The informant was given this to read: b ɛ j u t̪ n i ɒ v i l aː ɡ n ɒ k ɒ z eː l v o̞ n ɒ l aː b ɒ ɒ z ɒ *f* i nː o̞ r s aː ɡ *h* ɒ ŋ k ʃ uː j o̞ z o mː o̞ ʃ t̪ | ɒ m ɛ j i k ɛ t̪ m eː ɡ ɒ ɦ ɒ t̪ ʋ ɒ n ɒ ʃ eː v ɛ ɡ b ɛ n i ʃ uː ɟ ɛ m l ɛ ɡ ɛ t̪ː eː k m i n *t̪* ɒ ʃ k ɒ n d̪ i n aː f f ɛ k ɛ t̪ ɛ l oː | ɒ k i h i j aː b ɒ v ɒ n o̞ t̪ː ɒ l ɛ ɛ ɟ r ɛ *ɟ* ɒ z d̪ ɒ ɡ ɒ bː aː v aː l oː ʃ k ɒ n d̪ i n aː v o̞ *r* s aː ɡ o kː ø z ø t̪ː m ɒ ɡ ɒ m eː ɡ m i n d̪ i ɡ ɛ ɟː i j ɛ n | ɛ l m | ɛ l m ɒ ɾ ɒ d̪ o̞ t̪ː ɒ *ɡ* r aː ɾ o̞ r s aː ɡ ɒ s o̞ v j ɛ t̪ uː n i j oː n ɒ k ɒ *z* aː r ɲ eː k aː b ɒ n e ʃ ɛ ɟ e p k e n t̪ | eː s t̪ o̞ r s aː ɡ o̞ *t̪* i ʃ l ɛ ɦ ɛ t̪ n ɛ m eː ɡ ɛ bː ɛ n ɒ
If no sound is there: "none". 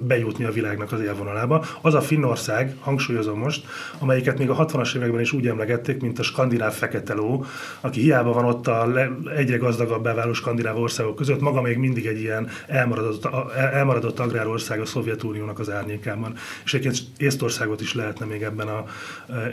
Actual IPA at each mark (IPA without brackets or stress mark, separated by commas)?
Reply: f, h, t̪, ɡ, r, ɡ, z, t̪